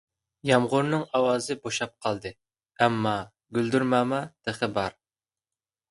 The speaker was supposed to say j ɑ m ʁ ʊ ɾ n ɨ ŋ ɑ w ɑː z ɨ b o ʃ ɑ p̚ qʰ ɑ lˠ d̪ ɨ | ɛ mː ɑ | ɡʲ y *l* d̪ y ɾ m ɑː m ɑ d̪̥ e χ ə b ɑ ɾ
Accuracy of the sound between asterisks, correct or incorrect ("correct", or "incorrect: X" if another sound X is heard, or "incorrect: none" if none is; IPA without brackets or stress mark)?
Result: correct